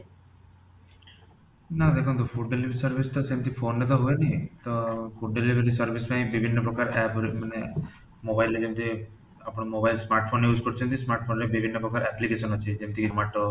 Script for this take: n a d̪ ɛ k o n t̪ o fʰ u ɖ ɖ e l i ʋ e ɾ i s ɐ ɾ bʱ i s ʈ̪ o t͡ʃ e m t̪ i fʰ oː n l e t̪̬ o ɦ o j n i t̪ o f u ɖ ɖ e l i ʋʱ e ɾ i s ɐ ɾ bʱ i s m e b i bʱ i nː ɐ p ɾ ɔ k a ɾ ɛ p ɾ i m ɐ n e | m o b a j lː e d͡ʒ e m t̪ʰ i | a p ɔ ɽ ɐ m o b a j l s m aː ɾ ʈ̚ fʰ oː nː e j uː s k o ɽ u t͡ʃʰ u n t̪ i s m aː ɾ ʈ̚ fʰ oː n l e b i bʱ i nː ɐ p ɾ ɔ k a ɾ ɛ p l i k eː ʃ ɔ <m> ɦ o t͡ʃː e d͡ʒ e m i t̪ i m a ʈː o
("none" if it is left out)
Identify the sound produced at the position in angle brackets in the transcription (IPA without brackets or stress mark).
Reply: n